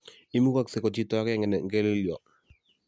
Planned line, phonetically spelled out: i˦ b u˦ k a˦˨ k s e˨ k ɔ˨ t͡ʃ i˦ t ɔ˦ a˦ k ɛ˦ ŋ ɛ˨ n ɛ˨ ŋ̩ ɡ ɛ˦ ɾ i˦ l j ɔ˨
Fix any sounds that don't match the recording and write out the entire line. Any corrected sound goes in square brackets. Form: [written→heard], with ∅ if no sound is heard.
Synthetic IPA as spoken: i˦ [b→m] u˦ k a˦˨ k s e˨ k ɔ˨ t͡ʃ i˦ t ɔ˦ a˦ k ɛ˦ ŋ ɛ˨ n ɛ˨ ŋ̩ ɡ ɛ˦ [ɾ→l] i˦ l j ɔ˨